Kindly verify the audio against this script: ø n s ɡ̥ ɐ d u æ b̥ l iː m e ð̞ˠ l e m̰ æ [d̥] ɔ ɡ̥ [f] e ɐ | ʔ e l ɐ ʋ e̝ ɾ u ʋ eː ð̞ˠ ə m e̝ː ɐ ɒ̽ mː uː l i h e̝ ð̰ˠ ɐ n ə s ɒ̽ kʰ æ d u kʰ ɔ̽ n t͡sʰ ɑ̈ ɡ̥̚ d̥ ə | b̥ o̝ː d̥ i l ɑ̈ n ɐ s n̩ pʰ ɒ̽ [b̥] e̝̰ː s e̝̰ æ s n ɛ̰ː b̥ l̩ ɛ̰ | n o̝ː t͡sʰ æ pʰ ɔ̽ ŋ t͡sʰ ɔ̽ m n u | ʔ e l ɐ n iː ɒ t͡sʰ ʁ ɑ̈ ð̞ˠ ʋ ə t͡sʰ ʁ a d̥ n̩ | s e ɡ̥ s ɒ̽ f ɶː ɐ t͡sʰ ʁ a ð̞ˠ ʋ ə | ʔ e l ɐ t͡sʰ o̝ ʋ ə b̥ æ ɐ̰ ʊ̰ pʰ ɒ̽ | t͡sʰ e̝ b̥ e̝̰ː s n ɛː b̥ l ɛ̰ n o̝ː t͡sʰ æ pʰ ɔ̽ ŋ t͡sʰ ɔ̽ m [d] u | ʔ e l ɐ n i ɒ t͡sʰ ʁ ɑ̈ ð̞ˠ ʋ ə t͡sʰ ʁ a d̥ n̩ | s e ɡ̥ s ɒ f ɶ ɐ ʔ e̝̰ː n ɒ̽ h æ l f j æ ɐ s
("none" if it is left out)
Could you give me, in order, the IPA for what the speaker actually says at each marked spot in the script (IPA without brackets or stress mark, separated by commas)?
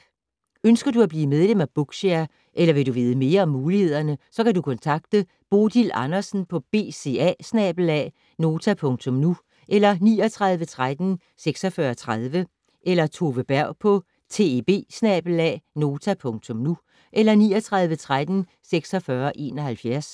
b̥, ɕ, b̥, n